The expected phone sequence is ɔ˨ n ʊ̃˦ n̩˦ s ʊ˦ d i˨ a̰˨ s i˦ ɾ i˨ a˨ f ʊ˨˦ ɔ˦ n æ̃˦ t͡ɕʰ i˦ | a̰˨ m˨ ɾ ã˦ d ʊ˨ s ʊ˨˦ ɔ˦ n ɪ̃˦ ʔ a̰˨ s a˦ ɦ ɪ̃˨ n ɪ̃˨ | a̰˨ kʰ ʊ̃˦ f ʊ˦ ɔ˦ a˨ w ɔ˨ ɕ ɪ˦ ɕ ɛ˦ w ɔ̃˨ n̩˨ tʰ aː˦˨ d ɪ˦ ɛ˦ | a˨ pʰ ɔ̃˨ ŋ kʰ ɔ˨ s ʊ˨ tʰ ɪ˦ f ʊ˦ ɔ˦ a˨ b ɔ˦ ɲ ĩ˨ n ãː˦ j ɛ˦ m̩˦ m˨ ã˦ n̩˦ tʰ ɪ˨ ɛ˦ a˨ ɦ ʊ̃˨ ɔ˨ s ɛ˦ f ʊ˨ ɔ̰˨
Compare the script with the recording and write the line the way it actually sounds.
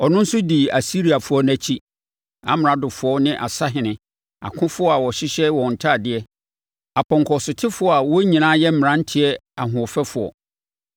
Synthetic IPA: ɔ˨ n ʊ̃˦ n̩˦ s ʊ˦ d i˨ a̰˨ s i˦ ɾ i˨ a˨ f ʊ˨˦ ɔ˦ n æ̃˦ t͡ɕʰ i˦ | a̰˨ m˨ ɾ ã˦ d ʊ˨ f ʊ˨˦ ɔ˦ n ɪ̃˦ ʔ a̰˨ s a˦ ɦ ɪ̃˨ n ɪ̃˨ | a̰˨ kʰ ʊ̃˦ f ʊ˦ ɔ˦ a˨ w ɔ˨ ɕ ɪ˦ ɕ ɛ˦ w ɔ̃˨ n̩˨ tʰ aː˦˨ d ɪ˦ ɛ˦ | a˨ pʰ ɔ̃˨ ŋ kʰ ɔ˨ s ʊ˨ tʰ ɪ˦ f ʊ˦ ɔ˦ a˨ w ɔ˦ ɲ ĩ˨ n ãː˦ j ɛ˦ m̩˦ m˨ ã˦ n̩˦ tʰ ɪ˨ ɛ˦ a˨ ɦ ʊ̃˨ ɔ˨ f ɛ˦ f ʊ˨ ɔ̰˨